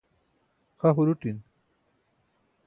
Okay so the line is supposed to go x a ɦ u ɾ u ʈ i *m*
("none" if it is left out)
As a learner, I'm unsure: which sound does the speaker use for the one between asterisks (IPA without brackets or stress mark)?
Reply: n